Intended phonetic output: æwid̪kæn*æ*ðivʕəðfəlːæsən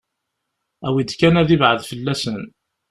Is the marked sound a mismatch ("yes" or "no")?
no